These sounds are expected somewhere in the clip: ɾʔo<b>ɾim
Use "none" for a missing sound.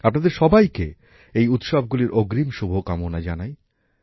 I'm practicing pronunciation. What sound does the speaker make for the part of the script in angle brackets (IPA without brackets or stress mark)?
ɡ